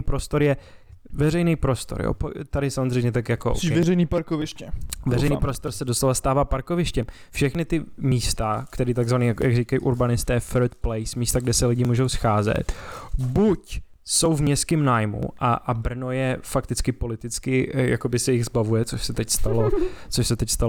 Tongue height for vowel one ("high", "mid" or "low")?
mid